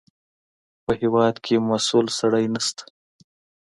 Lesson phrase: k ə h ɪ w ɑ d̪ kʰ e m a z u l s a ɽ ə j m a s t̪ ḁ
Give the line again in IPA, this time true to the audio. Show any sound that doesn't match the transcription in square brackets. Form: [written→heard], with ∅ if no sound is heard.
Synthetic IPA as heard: [k→p] ə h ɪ w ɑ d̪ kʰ e m a [z→s] u l s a ɽ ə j [m→n] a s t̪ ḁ